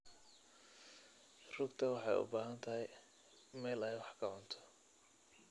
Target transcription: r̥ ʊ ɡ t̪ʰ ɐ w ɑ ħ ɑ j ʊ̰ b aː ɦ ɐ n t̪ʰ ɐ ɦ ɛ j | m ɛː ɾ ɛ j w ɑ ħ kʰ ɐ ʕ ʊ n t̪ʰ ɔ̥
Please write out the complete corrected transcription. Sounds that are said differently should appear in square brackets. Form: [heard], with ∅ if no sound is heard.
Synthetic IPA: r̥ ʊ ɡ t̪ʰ ɐ w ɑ ħ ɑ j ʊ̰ b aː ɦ ɐ n t̪ʰ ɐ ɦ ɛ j | m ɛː [l] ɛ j w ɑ ħ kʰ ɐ ʕ ʊ n t̪ʰ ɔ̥